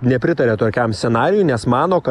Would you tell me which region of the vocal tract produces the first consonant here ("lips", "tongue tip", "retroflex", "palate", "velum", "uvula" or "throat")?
tongue tip